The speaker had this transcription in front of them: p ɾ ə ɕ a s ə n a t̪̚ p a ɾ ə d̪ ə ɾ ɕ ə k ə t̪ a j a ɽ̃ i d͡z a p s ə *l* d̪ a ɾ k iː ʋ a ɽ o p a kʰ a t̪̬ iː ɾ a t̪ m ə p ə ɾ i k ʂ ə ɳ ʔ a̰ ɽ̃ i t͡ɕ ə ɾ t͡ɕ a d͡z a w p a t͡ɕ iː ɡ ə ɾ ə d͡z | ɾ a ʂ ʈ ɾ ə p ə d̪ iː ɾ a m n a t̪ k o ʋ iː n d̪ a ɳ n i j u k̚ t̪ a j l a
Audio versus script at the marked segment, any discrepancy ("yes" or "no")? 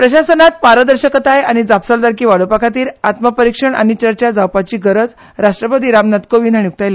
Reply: no